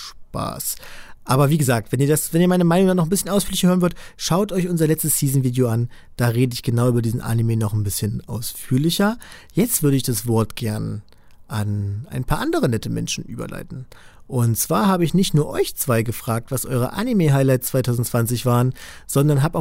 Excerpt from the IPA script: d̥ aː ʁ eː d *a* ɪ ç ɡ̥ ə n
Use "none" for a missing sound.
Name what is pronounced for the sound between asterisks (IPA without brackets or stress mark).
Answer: ə